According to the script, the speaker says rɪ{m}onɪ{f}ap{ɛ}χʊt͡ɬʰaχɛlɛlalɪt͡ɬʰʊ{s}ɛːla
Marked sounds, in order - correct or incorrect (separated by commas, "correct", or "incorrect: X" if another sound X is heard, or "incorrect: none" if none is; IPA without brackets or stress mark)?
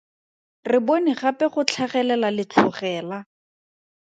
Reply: incorrect: b, incorrect: χ, correct, incorrect: χ